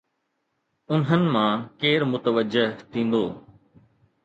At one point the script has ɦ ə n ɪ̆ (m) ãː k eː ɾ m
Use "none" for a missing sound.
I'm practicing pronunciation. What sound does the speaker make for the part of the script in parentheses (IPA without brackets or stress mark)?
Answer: m